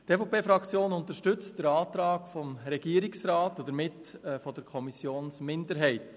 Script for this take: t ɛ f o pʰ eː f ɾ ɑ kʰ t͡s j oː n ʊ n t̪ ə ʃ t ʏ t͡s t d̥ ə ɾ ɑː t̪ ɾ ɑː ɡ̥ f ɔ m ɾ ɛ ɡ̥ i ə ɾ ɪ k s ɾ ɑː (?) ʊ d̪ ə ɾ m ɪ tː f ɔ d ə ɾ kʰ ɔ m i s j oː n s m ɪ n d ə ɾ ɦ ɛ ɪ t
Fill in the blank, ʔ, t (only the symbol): t